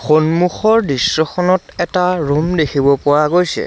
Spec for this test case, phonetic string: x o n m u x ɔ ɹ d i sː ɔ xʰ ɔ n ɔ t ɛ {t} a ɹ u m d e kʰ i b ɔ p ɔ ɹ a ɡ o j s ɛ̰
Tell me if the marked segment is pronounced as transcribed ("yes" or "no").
yes